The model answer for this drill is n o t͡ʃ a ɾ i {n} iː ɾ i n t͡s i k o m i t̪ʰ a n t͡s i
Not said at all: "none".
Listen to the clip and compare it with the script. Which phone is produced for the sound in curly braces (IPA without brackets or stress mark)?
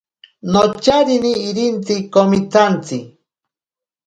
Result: n